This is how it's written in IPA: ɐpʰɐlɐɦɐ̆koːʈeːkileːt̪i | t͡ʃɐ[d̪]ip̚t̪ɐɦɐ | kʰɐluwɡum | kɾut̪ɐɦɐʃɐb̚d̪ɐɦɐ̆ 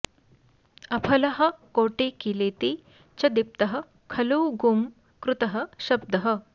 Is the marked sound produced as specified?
yes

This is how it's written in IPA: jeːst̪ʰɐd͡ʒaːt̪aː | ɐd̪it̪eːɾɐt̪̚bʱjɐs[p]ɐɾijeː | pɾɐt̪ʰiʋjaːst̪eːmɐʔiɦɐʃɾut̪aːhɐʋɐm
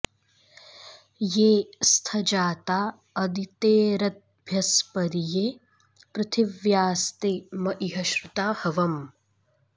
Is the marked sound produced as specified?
yes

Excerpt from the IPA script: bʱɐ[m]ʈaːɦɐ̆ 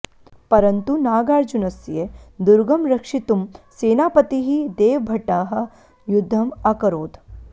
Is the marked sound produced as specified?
no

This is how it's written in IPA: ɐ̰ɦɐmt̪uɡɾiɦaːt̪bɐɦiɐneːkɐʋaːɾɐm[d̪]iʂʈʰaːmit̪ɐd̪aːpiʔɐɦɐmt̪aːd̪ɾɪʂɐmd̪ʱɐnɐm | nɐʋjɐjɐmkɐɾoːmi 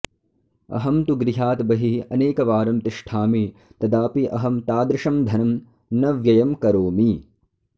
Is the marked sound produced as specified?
no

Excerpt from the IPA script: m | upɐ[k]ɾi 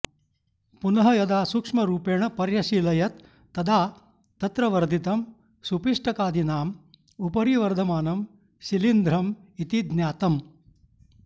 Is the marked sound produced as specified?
no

